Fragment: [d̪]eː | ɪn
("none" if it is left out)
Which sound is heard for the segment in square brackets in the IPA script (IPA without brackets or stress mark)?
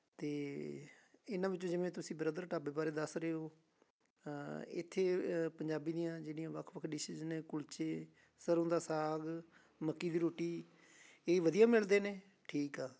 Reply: t̪